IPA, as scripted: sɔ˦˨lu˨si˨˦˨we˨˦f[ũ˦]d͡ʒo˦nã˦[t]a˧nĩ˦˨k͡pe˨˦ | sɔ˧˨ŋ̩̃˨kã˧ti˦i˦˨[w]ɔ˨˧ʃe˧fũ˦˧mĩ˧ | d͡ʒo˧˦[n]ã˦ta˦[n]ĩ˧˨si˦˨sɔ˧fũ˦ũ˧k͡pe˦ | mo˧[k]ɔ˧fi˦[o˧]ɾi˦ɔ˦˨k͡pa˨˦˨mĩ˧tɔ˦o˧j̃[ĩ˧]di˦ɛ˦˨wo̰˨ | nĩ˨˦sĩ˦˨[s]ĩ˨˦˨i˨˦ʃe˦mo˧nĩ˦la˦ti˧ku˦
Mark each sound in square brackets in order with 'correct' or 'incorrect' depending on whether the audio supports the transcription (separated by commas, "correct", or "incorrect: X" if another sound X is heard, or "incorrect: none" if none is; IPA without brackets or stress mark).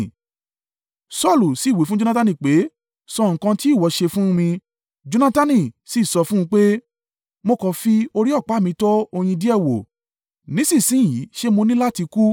correct, correct, correct, correct, correct, correct, correct, correct, correct